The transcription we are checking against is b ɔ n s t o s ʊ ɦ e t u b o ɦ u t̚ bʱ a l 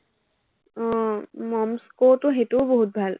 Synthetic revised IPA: m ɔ m s k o t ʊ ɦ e t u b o ɦ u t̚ bʱ a l